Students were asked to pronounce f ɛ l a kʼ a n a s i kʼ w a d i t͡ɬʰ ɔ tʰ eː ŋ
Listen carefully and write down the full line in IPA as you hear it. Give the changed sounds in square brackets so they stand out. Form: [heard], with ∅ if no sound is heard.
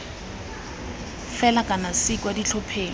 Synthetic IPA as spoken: f ɛ l a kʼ a n a s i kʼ w a d i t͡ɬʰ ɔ [pʰ] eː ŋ